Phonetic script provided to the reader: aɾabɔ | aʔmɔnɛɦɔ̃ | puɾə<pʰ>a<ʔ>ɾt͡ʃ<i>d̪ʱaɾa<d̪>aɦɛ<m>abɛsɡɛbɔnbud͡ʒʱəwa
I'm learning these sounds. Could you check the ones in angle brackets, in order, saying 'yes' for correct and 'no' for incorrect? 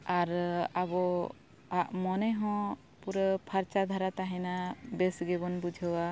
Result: yes, no, no, no, no

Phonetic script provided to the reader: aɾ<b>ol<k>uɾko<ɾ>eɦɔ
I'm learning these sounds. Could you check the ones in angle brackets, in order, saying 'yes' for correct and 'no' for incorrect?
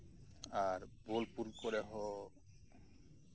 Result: yes, no, yes

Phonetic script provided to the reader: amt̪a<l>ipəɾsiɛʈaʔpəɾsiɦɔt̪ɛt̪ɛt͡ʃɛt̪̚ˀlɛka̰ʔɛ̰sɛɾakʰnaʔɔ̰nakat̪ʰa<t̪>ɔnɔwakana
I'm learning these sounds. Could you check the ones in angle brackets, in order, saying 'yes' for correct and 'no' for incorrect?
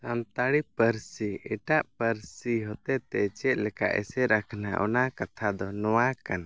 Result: no, no

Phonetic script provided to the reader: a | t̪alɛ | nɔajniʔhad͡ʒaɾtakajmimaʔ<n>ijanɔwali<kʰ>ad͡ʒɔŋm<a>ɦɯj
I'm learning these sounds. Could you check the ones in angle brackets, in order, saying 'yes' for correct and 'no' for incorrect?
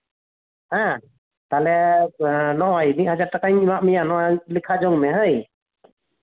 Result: no, yes, no

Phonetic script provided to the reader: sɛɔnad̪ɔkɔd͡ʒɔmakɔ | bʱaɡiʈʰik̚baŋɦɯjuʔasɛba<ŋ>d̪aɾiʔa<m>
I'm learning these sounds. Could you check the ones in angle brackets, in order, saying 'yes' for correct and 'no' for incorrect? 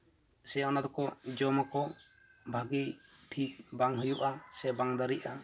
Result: yes, no

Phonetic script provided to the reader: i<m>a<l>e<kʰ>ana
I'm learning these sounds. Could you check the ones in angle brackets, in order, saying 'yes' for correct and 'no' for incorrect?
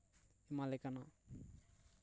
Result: yes, yes, no

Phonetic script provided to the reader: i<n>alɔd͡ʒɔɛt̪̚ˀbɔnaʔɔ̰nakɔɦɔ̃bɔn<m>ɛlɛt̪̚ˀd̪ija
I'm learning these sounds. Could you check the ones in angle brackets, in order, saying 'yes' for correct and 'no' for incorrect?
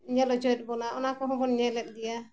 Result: no, no

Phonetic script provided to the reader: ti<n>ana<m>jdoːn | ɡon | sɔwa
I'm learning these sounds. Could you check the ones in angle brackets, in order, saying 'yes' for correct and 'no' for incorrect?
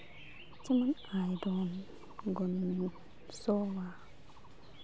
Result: no, no

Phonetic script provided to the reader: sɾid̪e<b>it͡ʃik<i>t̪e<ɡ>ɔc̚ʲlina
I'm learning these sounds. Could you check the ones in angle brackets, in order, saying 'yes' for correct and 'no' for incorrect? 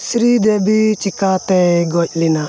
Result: yes, no, yes

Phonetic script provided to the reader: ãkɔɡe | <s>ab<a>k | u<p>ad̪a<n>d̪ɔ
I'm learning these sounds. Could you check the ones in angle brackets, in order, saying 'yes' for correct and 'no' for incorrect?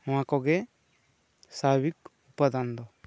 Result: yes, no, yes, yes

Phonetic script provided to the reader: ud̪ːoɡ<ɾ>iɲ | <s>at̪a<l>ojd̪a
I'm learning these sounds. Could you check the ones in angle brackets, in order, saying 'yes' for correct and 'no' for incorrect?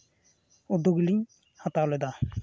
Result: no, no, yes

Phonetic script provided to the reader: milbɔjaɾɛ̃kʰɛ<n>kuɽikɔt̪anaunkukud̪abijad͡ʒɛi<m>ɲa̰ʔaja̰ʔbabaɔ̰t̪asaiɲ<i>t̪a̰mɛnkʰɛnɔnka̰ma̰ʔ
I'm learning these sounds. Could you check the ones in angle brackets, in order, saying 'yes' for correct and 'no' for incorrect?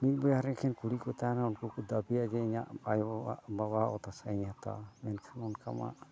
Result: yes, no, no

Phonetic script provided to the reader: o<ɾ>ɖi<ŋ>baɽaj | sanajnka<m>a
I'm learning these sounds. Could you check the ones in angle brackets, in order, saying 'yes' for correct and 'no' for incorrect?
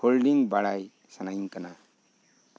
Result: no, yes, no

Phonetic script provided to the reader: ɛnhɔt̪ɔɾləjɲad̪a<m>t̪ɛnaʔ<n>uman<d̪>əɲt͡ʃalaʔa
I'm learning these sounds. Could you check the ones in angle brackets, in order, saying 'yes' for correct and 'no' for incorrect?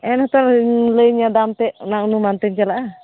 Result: yes, yes, no

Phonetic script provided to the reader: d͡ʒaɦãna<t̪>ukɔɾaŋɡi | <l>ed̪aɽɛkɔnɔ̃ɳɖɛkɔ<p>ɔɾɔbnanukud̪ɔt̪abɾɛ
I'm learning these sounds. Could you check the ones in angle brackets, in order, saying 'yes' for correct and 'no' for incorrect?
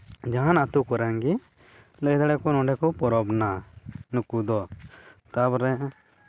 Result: yes, yes, yes

